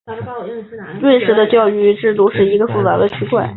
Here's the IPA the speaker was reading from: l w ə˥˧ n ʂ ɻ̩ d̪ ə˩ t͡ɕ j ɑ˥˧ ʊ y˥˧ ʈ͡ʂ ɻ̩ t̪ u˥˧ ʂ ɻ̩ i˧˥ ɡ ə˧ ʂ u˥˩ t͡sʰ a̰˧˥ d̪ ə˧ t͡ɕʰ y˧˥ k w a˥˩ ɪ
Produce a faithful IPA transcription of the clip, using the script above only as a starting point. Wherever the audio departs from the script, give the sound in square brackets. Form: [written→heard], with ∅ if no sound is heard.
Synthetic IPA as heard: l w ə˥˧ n ʂ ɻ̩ d̪ [ə˩→ə˧] t͡ɕ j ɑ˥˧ ʊ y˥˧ ʈ͡ʂ ɻ̩ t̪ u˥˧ ʂ ɻ̩ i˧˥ ɡ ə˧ [ʂ→f] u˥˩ [t͡sʰ→t͡s] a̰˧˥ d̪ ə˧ t͡ɕʰ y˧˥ k w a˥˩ ɪ